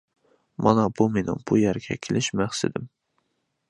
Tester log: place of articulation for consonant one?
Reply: labial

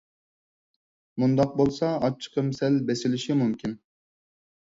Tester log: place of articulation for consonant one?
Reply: labial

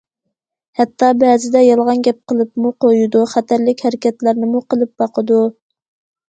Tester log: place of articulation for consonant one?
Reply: glottal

